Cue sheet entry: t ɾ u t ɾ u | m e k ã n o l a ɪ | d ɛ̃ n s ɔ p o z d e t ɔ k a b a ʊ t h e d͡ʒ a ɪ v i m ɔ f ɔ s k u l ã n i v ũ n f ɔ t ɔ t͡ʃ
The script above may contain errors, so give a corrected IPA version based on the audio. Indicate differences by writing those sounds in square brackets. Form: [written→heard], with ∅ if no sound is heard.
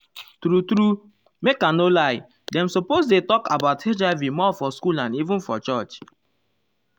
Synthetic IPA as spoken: t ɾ u t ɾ u | m e k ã n o l a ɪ | d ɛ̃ [n→m] s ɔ p o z d e t ɔ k a b a ʊ t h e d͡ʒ a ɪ v i m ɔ f ɔ s k u l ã n i v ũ n f ɔ [t→t͡ʃ] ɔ t͡ʃ